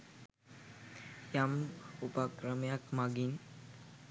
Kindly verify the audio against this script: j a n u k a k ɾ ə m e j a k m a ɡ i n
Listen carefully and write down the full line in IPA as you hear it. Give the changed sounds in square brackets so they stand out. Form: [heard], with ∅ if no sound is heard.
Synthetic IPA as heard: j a [m] u [p] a k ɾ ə m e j a k m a ɡ i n